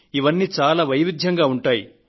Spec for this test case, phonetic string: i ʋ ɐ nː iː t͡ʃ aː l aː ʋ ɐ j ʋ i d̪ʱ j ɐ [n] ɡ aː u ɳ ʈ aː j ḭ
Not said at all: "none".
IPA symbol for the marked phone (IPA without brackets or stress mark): ŋ